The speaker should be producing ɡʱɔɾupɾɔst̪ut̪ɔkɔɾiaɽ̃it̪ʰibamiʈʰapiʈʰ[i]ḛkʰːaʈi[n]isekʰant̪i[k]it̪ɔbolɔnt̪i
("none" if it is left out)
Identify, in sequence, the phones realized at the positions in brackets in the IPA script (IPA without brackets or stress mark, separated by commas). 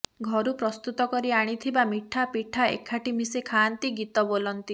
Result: a, m, ɡ